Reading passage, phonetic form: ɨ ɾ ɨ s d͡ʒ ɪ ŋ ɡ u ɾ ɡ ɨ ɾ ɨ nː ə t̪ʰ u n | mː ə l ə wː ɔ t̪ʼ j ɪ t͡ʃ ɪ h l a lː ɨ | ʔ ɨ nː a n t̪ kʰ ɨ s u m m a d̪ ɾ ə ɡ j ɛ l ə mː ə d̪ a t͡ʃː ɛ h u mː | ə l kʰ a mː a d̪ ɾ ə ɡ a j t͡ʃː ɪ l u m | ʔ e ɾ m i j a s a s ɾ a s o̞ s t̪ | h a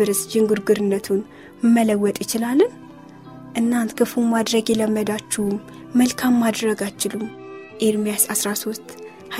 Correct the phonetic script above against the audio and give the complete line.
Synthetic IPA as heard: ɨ ɾ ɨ s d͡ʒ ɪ ŋ ɡ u ɾ ɡ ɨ ɾ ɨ nː ə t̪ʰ u n | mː ə l ə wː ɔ t̪ʼ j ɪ t͡ʃ ɪ l a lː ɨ | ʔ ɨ nː a n t̪ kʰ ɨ f u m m a d̪ ɾ ə ɡ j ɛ l ə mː ə d̪ a t͡ʃː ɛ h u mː | ə l kʰ a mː a d̪ ɾ ə ɡ a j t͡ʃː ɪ l u m | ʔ e ɾ m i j a s a s ɾ a s o̞ s t̪ | h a